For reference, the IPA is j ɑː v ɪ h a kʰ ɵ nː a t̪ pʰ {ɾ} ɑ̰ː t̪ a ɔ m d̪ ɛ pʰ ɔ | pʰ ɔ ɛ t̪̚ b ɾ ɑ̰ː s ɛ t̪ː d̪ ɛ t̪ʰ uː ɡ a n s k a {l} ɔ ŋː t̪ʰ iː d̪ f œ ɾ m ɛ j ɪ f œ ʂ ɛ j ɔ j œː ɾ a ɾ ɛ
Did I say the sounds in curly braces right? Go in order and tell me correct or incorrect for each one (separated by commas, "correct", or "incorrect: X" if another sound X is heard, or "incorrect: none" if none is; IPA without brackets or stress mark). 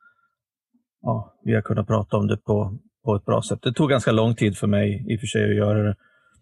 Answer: correct, correct